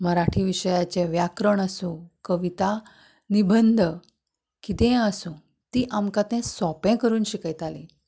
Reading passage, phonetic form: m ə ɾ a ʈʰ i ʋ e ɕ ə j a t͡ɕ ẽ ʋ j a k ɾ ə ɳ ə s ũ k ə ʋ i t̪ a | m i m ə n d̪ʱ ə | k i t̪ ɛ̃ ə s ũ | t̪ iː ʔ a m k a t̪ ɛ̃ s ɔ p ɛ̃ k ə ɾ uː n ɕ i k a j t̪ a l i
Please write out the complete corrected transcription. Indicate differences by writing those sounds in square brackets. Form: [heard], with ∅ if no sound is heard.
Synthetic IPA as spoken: m ə ɾ a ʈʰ i ʋ [i] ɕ ə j a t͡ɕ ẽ ʋ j a k ɾ ə ɳ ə s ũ k ə ʋ i t̪ a | [n] i [b] ə n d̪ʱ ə | k i t̪ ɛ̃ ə s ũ | t̪ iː ʔ a m k a t̪ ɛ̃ s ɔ p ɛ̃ k ə ɾ uː n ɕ i k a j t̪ a l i